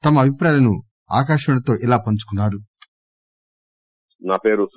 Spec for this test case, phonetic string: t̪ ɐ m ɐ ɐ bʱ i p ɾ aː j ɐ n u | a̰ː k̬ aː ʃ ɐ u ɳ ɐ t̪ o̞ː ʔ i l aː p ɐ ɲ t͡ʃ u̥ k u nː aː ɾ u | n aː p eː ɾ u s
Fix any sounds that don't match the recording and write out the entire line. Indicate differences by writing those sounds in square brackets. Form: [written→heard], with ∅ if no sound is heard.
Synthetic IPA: t̪ ɐ m ɐ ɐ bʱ i p ɾ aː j ɐ n u | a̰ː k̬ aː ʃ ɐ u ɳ ɐ t̪ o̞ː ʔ i l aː p ɐ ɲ t͡ʃ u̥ k u nː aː ɾ u | n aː p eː ɾ u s

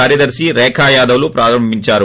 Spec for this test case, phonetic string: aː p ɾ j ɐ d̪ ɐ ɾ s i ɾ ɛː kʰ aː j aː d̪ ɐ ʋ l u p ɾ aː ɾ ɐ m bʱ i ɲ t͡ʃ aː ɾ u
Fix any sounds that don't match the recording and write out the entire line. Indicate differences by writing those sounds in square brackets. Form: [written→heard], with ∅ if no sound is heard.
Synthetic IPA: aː [p→∅] ɾ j ɐ d̪ ɐ ɾ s i ɾ ɛː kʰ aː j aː d̪ ɐ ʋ l u p ɾ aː ɾ ɐ m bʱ i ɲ t͡ʃ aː ɾ u

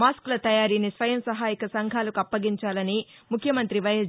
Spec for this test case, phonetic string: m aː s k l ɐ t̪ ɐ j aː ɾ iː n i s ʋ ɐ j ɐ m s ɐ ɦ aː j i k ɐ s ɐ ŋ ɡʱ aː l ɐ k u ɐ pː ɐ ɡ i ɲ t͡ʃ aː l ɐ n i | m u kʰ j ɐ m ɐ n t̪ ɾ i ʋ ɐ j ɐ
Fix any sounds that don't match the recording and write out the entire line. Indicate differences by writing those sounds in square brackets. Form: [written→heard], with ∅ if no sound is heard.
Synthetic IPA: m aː s k l ɐ t̪ ɐ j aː ɾ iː n i s ʋ ɐ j ɐ m s ɐ ɦ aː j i k ɐ s ɐ ŋ ɡʱ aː l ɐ k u ɐ pː ɐ ɡ i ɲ t͡ʃ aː l ɐ n i | m u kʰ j ɐ m ɐ n t̪ ɾ i ʋ ɐ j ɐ

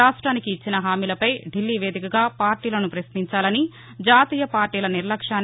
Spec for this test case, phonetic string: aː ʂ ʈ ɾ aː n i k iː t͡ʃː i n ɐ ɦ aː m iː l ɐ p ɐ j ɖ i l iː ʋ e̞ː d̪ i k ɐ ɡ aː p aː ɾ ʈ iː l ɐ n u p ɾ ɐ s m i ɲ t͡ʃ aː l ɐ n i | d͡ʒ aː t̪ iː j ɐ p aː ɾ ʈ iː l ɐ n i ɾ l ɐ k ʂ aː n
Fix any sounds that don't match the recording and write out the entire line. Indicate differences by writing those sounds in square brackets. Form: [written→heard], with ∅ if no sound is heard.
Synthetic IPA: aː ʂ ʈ ɾ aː n i k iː t͡ʃː i n ɐ ɦ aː m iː l ɐ p ɐ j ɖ i [l→lː] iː ʋ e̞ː d̪ i k ɐ ɡ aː p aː ɾ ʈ iː l ɐ n u p ɾ ɐ s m i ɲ t͡ʃ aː l ɐ n i | d͡ʒ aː t̪ iː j ɐ p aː ɾ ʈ iː l ɐ n i ɾ l ɐ k ʂ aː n

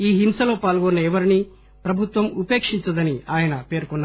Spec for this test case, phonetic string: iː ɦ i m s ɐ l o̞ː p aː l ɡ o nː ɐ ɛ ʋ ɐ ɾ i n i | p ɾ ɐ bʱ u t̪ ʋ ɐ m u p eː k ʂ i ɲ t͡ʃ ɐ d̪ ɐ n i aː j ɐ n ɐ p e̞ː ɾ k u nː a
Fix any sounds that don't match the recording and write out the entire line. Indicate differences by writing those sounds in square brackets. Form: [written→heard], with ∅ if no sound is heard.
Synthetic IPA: iː ɦ i m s ɐ l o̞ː p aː l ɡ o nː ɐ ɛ ʋ ɐ ɾ i n i | p ɾ ɐ bʱ u t̪ ʋ ɐ m u p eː k ʂ i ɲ t͡ʃ ɐ d̪ ɐ n i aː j ɐ n ɐ p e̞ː ɾ k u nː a

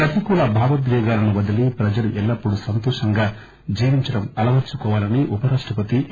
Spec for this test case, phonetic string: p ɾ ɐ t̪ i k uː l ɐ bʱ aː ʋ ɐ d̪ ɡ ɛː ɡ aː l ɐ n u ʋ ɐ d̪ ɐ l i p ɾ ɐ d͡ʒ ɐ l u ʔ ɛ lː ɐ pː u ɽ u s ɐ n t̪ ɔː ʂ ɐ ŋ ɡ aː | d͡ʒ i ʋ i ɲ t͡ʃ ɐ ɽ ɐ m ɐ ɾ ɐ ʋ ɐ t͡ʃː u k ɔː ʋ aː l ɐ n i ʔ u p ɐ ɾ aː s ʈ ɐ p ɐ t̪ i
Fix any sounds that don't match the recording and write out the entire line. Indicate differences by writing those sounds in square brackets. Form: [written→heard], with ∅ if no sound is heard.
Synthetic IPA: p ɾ ɐ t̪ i k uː l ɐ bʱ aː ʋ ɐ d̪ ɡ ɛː ɡ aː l ɐ n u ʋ ɐ d̪ ɐ l i p ɾ ɐ d͡ʒ ɐ l u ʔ ɛ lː ɐ pː u ɽ u s ɐ n t̪ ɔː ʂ ɐ ŋ ɡ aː | d͡ʒ [i→iː] ʋ i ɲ t͡ʃ ɐ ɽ ɐ m ɐ [ɾ→l] ɐ ʋ ɐ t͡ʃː u k ɔː ʋ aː l ɐ n i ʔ u p ɐ ɾ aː [s→ʂ] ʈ ɐ p ɐ t̪ i

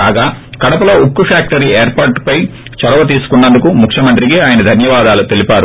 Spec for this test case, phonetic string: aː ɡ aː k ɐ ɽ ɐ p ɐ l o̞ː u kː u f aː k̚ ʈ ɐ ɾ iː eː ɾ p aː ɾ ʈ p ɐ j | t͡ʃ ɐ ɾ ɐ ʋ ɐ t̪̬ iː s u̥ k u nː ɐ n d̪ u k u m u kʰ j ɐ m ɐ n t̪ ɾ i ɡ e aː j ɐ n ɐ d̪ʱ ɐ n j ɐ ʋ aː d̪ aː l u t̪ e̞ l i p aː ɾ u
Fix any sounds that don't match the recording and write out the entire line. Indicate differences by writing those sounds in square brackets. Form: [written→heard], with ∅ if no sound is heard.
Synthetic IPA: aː ɡ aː k ɐ ɽ ɐ p ɐ l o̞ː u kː u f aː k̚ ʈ ɐ ɾ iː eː ɾ p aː ɾ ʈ p ɐ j | t͡ʃ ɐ ɾ ɐ ʋ ɐ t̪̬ iː s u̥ k u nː ɐ n d̪ u k u m u kʰ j ɐ m ɐ n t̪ ɾ i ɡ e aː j ɐ n ɐ d̪ʱ ɐ n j ɐ ʋ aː d̪ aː l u t̪ e̞ l i p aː ɾ u

